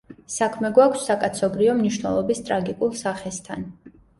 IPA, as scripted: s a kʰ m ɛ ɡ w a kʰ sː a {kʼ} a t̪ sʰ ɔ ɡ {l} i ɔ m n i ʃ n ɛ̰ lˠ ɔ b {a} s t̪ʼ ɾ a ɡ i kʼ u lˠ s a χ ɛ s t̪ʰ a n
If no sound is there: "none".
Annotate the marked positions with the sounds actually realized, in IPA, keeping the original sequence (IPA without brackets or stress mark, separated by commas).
kʼ, ɾ, i